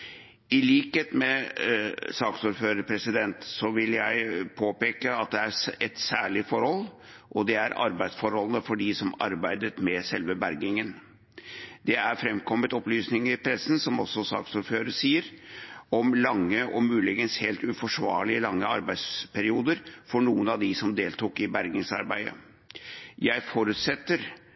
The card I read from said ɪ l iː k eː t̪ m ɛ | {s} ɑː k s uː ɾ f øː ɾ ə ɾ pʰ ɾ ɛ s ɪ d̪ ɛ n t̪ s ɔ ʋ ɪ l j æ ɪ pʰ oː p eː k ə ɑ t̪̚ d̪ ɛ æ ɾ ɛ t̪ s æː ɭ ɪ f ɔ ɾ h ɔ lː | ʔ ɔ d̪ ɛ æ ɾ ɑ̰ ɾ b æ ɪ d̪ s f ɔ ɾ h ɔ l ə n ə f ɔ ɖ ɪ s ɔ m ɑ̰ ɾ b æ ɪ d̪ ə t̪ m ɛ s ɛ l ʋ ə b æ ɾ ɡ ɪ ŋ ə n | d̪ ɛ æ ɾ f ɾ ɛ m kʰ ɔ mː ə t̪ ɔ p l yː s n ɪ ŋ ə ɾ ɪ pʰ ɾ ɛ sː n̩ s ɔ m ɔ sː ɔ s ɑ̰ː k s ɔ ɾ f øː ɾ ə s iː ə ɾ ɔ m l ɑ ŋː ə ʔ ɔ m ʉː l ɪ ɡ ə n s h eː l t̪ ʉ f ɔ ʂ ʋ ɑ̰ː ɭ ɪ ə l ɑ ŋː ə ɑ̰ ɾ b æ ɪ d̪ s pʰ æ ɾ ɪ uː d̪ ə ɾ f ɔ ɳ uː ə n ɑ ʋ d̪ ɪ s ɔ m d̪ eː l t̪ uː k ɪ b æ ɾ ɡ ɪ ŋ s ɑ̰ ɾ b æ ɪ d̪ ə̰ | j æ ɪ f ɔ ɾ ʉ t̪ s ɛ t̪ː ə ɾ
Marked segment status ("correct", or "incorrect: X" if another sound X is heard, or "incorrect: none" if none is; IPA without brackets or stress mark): correct